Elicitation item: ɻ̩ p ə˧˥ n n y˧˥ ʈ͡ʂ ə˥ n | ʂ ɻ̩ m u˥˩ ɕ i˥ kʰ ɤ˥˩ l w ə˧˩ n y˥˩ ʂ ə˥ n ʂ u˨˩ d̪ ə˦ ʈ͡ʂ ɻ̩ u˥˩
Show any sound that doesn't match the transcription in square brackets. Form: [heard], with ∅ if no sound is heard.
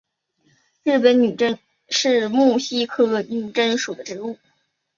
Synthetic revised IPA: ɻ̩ p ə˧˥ n n [y˨˩] ʈ͡ʂ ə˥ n | ʂ ɻ̩ m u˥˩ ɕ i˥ kʰ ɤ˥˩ l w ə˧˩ n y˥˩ [ʈ͡ʂ] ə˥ n ʂ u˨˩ d̪ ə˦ ʈ͡ʂ ɻ̩ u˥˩